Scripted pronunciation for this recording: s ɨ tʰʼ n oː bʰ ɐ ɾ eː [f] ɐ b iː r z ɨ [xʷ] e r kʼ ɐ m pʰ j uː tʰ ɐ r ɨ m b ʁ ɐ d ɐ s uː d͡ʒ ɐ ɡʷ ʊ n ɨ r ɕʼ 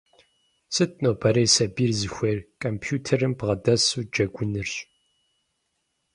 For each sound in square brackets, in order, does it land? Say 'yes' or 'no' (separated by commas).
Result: no, yes